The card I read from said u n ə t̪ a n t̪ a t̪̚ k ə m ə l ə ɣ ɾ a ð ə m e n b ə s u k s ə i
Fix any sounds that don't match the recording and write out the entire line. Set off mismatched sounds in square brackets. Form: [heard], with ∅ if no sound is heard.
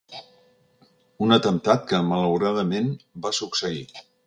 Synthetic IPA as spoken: u n ə t̪ [ə] n t̪ a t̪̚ k ə m ə l ə [w] ɾ a ð ə m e n b [a] s u k s ə i